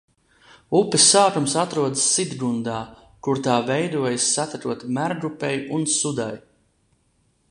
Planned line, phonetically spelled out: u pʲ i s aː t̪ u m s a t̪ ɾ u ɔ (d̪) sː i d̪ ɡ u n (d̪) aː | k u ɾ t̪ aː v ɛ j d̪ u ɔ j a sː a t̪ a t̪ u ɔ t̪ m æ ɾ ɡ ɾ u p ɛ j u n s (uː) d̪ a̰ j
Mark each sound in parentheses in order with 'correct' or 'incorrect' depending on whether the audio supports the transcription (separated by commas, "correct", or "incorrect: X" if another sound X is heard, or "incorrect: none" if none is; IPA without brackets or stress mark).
correct, correct, incorrect: u